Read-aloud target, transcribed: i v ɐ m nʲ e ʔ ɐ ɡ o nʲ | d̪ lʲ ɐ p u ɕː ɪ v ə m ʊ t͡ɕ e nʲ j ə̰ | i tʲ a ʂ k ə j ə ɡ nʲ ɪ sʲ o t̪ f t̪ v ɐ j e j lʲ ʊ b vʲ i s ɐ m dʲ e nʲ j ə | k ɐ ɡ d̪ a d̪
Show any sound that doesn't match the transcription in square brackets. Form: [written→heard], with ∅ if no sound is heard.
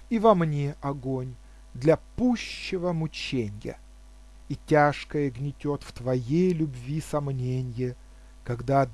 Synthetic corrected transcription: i v ɐ m nʲ e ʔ ɐ ɡ o nʲ | d̪ lʲ ɐ p u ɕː ɪ v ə m ʊ t͡ɕ e nʲ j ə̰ | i tʲ a ʂ k ə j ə ɡ nʲ ɪ [sʲ→tʲ] o t̪ f t̪ v ɐ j e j lʲ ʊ b vʲ i s ɐ m [dʲ→nʲ] e nʲ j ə | k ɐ ɡ d̪ a d̪